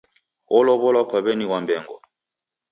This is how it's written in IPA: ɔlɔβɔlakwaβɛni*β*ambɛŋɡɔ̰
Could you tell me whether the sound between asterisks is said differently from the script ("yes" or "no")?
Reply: yes